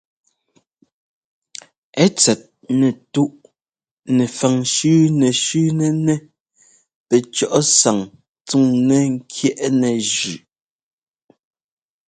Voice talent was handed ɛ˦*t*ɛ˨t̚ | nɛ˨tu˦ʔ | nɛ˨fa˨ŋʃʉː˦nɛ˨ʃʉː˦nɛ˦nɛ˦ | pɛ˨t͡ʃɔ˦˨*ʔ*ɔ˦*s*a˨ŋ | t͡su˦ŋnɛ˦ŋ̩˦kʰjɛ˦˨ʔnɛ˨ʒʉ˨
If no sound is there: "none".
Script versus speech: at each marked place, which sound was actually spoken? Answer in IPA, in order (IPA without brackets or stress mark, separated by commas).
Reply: t͡s, ʔ, s